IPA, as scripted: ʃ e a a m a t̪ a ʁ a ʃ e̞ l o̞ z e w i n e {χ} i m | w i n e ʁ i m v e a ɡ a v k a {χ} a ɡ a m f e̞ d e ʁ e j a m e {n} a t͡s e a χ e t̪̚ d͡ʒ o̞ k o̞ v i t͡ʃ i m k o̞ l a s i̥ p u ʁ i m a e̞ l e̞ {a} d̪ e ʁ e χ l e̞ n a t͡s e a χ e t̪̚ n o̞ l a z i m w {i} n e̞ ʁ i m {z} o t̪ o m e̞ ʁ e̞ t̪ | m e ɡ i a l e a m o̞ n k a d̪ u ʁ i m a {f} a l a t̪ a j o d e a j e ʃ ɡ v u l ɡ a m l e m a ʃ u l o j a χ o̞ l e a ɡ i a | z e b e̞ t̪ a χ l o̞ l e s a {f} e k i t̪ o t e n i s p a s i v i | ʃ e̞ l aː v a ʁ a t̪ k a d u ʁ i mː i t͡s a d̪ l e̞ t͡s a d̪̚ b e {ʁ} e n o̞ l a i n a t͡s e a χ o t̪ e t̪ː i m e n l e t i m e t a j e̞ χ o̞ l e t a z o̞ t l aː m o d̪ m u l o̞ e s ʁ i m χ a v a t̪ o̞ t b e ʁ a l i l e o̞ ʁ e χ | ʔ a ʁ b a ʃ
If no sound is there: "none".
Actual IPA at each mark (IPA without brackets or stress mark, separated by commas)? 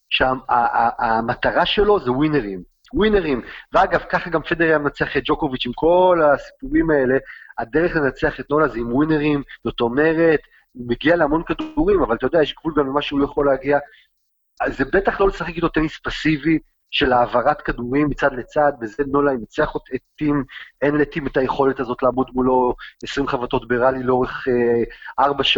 ʁ, χ, n, a, i, z, v, χ, z